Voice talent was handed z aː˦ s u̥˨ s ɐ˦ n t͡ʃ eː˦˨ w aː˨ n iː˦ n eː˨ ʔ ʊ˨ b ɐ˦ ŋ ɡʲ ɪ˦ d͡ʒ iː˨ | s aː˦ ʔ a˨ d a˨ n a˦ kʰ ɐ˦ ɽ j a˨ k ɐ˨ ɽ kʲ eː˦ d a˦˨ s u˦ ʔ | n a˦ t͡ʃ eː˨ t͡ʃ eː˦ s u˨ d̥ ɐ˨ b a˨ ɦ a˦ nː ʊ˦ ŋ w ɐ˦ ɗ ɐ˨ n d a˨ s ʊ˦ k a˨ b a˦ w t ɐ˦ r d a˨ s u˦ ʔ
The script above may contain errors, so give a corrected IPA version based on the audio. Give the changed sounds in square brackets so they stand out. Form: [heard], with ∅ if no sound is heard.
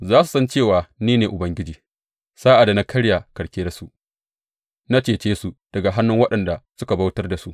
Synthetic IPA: z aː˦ s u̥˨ s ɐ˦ n t͡ʃ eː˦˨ w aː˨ n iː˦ n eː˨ ʔ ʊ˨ b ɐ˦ ŋ ɡʲ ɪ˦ d͡ʒ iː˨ | s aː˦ ʔ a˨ d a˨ n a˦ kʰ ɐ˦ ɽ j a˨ k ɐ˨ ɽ kʲ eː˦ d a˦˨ s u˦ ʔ | n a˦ t͡ʃ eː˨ t͡ʃ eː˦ s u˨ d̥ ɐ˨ [ɡ] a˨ ɦ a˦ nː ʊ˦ ŋ w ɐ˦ ɗ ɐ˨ n d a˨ s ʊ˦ k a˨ b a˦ w t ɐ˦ r d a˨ s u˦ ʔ